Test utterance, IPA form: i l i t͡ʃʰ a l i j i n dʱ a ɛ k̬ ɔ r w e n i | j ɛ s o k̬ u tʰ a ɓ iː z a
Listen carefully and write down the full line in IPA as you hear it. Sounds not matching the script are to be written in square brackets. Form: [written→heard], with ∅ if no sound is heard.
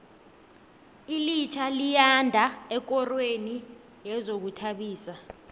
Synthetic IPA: i l i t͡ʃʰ a l i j [i→a] n dʱ a ɛ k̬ ɔ r w e n i | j ɛ [s→z] o k̬ u tʰ a ɓ iː [z→s] a